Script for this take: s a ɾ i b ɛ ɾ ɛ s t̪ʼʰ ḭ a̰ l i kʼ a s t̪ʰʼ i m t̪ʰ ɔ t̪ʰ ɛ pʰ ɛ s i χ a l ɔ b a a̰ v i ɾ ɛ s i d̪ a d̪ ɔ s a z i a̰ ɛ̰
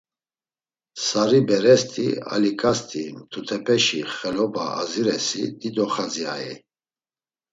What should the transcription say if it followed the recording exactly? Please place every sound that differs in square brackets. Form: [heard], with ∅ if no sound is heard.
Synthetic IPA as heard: s a ɾ i b ɛ ɾ ɛ s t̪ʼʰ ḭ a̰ l i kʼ a s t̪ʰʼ i m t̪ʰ [u] t̪ʰ ɛ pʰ ɛ [ʃ] i χ [ɛ] l ɔ b a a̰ [z] i ɾ ɛ s i d̪ [i] d̪ ɔ [χ] a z i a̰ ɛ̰